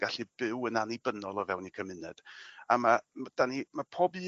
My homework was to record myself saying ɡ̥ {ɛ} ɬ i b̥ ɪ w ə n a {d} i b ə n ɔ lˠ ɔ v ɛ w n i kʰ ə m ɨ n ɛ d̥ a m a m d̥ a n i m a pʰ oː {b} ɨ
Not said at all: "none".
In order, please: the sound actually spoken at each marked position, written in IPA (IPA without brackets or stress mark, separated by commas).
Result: a, n, b